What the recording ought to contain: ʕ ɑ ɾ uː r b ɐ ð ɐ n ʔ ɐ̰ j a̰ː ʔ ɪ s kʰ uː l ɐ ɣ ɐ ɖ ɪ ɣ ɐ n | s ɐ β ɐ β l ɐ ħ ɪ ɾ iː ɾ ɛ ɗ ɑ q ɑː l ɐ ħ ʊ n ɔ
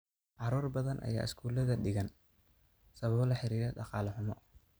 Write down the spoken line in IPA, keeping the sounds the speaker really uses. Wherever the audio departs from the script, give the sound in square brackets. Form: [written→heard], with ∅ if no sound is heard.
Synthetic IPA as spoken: ʕ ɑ ɾ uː r b ɐ ð ɐ n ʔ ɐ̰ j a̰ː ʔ ɪ s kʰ uː l ɐ [ɣ→ð] ɐ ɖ ɪ ɣ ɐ n | s ɐ β ɐ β l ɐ ħ ɪ ɾ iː ɾ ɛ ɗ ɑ q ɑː l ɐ ħ ʊ [n→m] ɔ

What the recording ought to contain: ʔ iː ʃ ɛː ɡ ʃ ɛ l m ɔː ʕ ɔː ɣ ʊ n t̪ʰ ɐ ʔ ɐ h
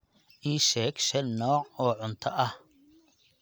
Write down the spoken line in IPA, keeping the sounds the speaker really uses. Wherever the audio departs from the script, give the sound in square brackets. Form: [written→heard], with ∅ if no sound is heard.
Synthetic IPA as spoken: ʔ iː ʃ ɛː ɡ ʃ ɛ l [m→n] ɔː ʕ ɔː [ɣ→ʕ] ʊ n t̪ʰ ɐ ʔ ɐ h

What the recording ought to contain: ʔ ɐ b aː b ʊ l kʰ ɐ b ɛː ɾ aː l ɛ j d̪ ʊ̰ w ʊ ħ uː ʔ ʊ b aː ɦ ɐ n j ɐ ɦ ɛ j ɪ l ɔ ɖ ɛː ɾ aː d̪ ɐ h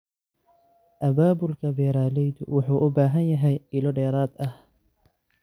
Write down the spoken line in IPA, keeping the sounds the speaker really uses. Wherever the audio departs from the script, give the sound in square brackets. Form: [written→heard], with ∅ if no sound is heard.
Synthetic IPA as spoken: ʔ ɐ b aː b ʊ l kʰ ɐ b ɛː ɾ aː l ɛ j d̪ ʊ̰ w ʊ ħ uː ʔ ʊ b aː ɦ ɐ n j ɐ ɦ ɛ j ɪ l ɔ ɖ ɛː ɾ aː d̪ ɐ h

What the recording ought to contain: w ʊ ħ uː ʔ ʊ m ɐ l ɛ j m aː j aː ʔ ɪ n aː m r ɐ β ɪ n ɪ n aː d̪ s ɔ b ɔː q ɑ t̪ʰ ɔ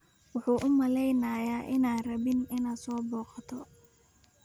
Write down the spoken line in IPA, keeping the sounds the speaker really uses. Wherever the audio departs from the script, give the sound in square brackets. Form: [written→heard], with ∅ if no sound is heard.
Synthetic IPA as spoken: w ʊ ħ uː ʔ ʊ m ɐ l ɛ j [m→n] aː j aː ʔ ɪ n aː [m→n] r ɐ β ɪ n ɪ n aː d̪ s [ɔ→ɔː] b ɔː q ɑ t̪ʰ ɔ

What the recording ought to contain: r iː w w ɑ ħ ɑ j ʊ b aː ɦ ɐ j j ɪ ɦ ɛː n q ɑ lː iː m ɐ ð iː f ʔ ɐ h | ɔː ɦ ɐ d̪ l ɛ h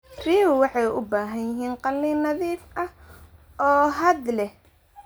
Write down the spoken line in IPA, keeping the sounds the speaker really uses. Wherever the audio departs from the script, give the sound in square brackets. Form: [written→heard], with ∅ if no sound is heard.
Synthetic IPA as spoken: r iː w w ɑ ħ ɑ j ʊ b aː ɦ ɐ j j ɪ ɦ [ɛː→iː] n q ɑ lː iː [m→n] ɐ ð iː f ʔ ɐ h | ɔː ɦ ɐ d̪ l ɛ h

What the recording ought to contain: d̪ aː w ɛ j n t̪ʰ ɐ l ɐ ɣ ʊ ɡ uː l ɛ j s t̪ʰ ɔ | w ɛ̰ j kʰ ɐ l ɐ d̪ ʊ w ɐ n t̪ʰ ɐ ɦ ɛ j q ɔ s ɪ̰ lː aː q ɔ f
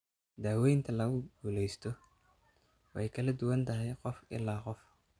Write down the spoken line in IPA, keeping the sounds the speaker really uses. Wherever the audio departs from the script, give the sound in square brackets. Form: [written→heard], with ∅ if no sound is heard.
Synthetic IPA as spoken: d̪ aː w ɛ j n t̪ʰ ɐ l ɐ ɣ ʊ ɡ uː l ɛ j s t̪ʰ ɔ | w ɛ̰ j kʰ ɐ l ɐ d̪ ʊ w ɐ n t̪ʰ ɐ ɦ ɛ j q ɔ [s→f] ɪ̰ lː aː q ɔ f

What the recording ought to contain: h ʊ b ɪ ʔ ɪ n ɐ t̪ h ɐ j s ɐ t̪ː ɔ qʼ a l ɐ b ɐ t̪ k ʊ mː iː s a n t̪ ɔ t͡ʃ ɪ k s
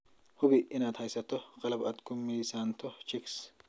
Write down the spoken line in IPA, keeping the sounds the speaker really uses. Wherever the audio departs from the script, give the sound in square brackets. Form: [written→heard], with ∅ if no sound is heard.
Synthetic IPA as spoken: h ʊ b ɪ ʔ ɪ n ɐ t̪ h ɐ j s ɐ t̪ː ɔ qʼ [a→ɐ] l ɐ b ɐ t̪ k ʊ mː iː s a n t̪ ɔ t͡ʃ ɪ k s

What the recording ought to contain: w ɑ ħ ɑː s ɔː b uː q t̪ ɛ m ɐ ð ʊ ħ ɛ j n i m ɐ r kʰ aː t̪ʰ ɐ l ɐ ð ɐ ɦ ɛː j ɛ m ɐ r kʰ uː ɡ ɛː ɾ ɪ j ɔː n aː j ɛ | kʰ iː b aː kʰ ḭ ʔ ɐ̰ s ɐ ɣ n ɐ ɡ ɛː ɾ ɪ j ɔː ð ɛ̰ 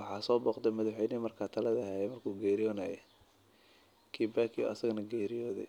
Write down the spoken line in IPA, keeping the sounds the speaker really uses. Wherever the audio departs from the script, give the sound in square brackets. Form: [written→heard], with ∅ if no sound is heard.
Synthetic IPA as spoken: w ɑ ħ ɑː s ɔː b [uː→ɔː] q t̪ ɛ m ɐ ð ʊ ħ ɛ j n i m ɐ r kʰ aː t̪ʰ ɐ l ɐ ð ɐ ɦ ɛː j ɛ m ɐ r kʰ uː ɡ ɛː ɾ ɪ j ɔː n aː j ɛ | kʰ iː b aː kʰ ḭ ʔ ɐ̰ s ɐ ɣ n ɐ ɡ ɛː ɾ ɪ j ɔː ð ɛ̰

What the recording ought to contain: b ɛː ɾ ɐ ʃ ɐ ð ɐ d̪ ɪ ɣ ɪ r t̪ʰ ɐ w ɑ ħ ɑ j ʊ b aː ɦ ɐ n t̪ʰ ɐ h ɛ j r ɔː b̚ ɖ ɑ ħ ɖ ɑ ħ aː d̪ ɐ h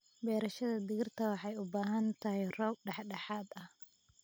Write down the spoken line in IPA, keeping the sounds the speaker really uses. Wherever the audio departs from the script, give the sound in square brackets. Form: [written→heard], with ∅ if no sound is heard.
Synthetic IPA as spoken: b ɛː ɾ ɐ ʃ ɐ ð ɐ d̪ ɪ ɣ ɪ r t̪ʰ ɐ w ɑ ħ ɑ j ʊ b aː ɦ ɐ n t̪ʰ ɐ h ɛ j r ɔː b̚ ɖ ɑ ħ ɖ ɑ ħ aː d̪ ɐ h

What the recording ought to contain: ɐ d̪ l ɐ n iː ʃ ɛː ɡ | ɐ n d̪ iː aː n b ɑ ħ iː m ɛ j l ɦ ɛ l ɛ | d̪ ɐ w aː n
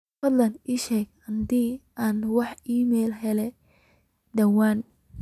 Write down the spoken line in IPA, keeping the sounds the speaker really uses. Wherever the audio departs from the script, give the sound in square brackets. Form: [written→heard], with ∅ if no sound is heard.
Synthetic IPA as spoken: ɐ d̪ l ɐ n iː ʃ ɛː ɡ | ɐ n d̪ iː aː n [b→w] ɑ ħ iː m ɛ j l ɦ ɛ l ɛ | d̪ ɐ w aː n

